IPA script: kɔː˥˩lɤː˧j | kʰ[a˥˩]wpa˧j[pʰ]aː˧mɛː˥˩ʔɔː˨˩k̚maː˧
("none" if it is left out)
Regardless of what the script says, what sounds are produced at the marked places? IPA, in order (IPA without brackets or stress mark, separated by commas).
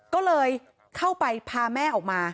a˥˩, pʰ